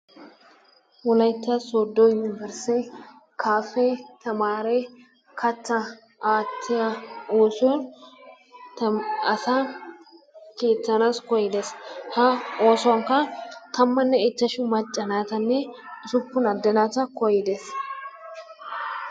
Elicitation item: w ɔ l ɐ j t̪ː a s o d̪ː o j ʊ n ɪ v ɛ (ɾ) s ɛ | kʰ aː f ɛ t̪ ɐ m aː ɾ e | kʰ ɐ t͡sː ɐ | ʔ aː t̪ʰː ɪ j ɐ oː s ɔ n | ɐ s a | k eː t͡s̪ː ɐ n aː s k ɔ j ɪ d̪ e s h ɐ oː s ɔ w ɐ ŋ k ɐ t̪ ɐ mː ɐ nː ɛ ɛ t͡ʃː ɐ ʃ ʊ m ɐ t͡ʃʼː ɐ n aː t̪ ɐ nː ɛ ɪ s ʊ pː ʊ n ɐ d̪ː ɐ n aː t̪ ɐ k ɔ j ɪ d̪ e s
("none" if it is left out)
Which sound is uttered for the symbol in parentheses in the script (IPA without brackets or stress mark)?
ɾ